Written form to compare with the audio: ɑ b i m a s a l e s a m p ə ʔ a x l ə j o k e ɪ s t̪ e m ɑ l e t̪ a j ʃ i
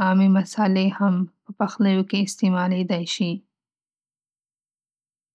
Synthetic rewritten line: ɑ m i m a s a l e h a m p ə p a x l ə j o k e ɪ s t̪ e m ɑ l e d̪ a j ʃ i